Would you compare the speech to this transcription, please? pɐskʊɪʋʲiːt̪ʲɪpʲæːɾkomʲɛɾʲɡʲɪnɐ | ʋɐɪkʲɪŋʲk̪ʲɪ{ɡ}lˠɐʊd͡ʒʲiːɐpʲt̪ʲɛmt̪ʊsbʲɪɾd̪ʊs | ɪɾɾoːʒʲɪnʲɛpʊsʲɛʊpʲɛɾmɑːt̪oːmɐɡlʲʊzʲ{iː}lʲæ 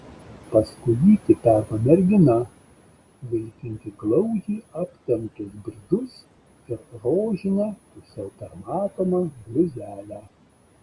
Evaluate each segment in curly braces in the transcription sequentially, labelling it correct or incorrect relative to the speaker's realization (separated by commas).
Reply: correct, incorrect